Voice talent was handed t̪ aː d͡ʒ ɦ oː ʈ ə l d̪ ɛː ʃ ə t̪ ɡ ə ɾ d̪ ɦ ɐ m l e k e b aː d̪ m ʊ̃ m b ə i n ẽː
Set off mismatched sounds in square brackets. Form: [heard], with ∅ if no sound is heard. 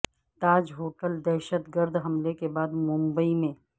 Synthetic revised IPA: t̪ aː d͡ʒ ɦ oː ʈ ə l d̪ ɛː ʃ ə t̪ ɡ ə ɾ d̪ ɦ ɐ m l e k e b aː d̪ m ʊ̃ m b ə i [m] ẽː